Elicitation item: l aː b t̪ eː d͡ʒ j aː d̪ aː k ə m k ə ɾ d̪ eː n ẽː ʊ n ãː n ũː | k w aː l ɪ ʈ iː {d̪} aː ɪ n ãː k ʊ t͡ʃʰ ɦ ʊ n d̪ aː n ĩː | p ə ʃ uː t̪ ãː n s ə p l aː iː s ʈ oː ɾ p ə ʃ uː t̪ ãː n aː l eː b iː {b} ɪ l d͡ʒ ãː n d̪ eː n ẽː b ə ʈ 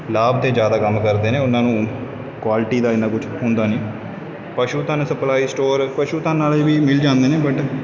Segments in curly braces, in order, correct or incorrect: correct, incorrect: m

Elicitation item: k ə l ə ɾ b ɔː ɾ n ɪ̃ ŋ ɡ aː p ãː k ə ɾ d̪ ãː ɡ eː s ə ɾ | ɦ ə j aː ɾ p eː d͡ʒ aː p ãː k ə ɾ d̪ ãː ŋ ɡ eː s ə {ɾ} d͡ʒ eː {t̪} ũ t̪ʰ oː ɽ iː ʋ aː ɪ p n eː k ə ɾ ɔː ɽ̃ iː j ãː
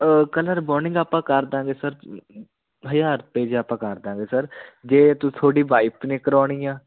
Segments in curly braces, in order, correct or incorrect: correct, correct

